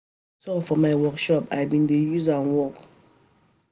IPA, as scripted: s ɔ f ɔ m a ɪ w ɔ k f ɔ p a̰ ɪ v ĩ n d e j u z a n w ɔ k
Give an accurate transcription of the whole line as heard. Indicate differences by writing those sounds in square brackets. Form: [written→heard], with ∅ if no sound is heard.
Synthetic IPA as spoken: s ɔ f ɔ m a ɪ w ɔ k [f→ʃ] ɔ p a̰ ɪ [v→b] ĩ n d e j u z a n w ɔ k